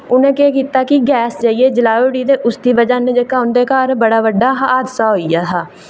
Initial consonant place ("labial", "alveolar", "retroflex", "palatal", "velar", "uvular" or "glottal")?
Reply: alveolar